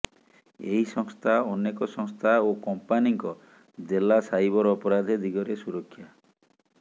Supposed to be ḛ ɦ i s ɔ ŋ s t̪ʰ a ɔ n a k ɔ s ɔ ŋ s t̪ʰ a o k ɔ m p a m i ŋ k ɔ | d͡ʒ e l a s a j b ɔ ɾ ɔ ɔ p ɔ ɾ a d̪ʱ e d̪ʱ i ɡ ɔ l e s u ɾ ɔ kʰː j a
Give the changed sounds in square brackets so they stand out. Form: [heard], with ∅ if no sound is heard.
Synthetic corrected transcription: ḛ ɦ i s ɔ ŋ s t̪ʰ a ɔ n [e] k ɔ s ɔ ŋ s t̪ʰ a o k ɔ m p a [n] i ŋ k ɔ | d͡ʒ e l a s a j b ɔ ɾ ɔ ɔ p ɔ ɾ a d̪ʱ e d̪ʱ i ɡ ɔ [ɾ] e s u ɾ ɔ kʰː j a

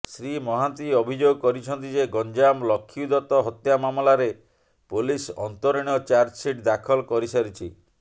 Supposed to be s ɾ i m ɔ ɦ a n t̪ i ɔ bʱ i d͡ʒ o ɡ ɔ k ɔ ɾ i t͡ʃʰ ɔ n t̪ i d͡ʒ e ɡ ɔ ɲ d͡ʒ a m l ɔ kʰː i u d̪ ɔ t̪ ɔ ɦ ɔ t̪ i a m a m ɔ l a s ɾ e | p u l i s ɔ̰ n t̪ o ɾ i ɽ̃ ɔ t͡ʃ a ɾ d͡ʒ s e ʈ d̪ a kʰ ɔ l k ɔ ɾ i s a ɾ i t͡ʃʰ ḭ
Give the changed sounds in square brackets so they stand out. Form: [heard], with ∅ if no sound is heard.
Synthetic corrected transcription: s ɾ i m ɔ ɦ a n t̪ i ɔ bʱ i d͡ʒ o ɡ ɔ k ɔ ɾ i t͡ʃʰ ɔ n t̪ i d͡ʒ e ɡ ɔ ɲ d͡ʒ a m l ɔ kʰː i u d̪ ɔ t̪ ɔ ɦ ɔ t̪ [j] a m a m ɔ l a [∅] ɾ e | p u l i s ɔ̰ n t̪ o ɾ i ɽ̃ ɔ t͡ʃ a ɾ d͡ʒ s [i] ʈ d̪ a kʰ ɔ l k ɔ ɾ i s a ɾ i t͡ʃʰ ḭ

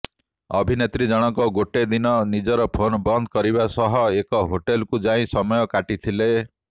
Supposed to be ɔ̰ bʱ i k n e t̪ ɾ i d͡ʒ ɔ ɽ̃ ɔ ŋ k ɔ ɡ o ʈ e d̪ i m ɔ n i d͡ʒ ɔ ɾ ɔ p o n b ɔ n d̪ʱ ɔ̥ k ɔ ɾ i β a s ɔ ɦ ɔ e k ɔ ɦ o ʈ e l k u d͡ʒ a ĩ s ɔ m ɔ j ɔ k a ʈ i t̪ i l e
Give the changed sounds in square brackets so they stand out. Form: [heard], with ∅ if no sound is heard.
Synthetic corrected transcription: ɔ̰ bʱ i [∅] n e t̪ ɾ i d͡ʒ ɔ ɽ̃ ɔ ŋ k ɔ ɡ o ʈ e d̪ i [n] ɔ n i d͡ʒ ɔ ɾ ɔ [pʰ] o n b ɔ n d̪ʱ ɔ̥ k ɔ ɾ i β a s ɔ ɦ ɔ e k ɔ ɦ o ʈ e l k u d͡ʒ a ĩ s ɔ m ɔ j ɔ k a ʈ i [t̪ʰ] i l e

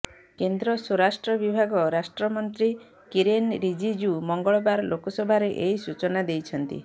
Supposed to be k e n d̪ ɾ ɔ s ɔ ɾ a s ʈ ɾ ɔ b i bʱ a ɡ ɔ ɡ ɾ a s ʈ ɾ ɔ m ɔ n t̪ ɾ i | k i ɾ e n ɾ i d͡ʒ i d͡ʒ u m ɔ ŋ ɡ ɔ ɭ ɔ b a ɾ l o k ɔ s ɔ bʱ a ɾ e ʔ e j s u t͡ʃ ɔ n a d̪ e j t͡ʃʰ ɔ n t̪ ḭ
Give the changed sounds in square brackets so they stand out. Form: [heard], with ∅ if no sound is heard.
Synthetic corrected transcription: k e n d̪ ɾ ɔ s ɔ ɾ a s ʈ ɾ ɔ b i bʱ a ɡ ɔ [∅] ɾ a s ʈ ɾ ɔ m ɔ n t̪ ɾ i | k i ɾ e n ɾ i d͡ʒ i d͡ʒ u m ɔ ŋ ɡ ɔ ɭ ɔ b a ɾ l o k ɔ s ɔ bʱ a ɾ e ʔ e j s u t͡ʃ ɔ n a d̪ e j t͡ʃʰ ɔ n t̪ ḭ

